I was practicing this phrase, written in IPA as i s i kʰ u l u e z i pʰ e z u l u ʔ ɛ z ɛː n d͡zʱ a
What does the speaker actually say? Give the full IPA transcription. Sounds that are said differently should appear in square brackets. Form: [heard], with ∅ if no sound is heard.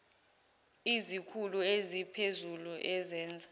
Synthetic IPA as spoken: i [z] i kʰ u l u e z i pʰ e z u l u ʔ ɛ z ɛː n d͡zʱ a

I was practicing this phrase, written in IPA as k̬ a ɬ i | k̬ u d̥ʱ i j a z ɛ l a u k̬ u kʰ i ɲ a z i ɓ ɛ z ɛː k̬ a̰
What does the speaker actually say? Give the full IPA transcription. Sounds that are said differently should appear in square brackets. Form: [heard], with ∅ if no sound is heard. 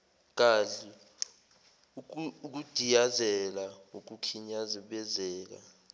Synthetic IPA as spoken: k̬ a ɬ i | k̬ u d̥ʱ i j a z ɛ l a u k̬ u kʰ i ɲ a z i ɓ ɛ z ɛː k̬ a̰

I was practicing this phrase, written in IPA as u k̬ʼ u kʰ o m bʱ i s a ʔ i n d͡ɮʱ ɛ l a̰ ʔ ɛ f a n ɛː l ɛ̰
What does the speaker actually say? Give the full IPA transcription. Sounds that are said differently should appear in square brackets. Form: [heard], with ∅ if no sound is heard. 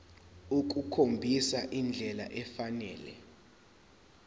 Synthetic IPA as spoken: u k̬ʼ u kʰ o m bʱ i s a ʔ i n d͡ɮʱ ɛ l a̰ ʔ ɛ f a n ɛː l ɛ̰

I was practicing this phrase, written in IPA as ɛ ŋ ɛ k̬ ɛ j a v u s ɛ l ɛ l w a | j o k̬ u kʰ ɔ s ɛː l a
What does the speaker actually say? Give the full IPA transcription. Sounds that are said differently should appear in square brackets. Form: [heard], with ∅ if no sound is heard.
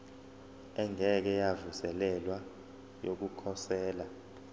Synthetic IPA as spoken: ɛ ŋ ɛ k̬ ɛ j a v u s ɛ l ɛ l w a | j o k̬ u kʰ ɔ s ɛː l a

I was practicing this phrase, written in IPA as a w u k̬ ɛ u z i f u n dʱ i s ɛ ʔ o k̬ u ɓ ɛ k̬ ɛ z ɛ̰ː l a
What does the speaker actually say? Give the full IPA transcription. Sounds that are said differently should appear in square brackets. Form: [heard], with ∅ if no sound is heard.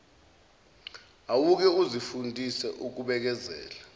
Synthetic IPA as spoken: a w u k̬ ɛ u z i f u n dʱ i s ɛ ʔ [u] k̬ u ɓ ɛ k̬ ɛ z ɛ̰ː l a

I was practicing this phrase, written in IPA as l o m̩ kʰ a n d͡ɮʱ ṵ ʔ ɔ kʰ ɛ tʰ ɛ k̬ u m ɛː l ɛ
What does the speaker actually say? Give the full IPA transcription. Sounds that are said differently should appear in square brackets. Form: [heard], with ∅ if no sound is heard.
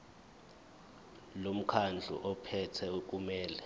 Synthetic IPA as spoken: l o m̩ kʰ a n d͡ɮʱ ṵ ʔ ɔ [pʰ] ɛ tʰ ɛ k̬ u m ɛː l ɛ

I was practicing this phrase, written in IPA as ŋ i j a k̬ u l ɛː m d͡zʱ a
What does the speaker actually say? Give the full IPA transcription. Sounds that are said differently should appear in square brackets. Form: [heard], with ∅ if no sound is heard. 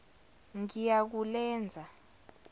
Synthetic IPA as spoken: ŋ i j a k̬ u l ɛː [n] d͡zʱ a

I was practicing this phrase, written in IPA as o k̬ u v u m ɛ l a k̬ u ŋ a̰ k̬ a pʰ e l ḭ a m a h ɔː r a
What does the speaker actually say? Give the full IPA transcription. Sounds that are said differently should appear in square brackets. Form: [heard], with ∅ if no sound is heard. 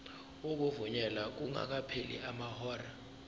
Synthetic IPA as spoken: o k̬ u v u [ɲ] ɛ l a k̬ u ŋ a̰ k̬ a pʰ e l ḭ a m a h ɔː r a

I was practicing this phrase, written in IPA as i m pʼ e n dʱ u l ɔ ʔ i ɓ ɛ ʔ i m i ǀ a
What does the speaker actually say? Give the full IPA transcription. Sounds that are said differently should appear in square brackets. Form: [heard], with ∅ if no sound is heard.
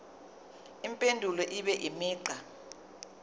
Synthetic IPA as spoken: i m pʼ e n dʱ u l ɔ ʔ i ɓ ɛ ʔ i m [iː] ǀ a

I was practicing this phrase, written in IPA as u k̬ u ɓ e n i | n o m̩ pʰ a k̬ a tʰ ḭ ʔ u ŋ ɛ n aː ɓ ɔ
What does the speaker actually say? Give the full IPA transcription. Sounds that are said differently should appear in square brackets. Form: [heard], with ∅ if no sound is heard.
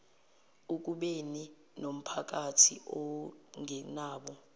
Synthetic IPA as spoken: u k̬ u ɓ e n i | n o m̩ pʰ a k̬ a tʰ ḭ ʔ [ɔ] ŋ ɛ n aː ɓ ɔ

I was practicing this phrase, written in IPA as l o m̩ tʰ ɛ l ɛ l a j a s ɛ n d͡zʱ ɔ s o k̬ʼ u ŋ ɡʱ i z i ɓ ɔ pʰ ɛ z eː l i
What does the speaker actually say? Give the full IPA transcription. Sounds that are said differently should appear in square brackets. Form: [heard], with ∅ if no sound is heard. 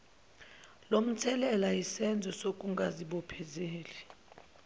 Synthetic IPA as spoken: l o m̩ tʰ ɛ l ɛ l a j [i] s ɛ n d͡zʱ ɔ s o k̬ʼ u ŋ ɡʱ [a] z i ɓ ɔ pʰ ɛ z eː l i

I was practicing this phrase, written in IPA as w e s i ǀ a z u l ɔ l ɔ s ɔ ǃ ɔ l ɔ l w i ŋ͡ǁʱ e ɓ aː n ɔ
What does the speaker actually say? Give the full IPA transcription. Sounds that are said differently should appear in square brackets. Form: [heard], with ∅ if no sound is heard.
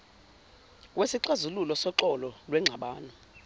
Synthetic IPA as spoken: w e s i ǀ a z u l [u] l ɔ s ɔ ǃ ɔ l ɔ l w [ɛ] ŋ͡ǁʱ [a] ɓ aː n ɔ

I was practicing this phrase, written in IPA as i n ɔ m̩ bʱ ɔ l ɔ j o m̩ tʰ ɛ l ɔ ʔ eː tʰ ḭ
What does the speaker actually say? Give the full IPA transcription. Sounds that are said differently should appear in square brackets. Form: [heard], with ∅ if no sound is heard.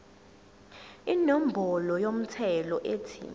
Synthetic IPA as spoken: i n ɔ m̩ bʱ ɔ l ɔ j o m̩ tʰ ɛ l ɔ ʔ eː tʰ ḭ

